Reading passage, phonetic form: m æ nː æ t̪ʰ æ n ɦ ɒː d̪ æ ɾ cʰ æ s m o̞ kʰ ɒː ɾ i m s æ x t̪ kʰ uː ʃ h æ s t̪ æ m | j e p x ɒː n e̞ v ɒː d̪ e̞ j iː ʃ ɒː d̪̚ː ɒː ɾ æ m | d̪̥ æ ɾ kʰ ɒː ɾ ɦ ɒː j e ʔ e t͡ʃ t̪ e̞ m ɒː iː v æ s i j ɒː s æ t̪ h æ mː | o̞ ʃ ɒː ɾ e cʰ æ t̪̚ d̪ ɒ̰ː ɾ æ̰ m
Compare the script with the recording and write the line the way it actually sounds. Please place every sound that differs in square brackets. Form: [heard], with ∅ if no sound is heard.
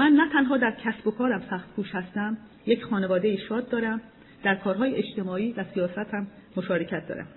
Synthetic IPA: m æ nː æ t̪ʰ æ n ɦ ɒː d̪ æ ɾ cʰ æ s [b] o̞ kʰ ɒː ɾ [æ] m s æ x t̪ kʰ uː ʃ h æ s t̪ æ m | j e [c] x ɒː n e̞ v ɒː d̪ e̞ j iː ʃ ɒː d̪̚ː ɒː ɾ æ m | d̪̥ æ ɾ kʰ ɒː ɾ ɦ ɒː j e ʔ e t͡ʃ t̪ e̞ m ɒː iː v æ s i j ɒː s æ t̪ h æ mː | o̞ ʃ ɒː ɾ e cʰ æ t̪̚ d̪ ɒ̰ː ɾ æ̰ m